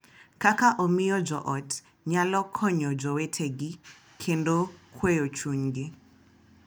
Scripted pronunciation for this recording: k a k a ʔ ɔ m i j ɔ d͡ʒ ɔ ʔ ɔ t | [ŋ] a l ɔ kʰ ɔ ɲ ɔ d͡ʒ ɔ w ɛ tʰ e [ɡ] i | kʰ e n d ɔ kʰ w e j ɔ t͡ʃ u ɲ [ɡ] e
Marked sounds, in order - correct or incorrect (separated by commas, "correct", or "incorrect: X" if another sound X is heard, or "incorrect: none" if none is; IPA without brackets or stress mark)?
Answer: incorrect: ɲ, correct, correct